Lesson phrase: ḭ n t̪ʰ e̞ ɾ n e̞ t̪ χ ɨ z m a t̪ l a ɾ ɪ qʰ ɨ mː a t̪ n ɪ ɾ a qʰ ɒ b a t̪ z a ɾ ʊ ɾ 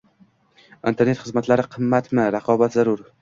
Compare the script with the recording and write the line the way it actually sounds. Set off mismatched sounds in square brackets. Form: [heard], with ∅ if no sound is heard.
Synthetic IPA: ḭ n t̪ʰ e̞ ɾ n e̞ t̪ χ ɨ z m a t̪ l a ɾ ɪ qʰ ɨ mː a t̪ [m] ɪ ɾ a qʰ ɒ b a t̪ z a ɾ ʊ ɾ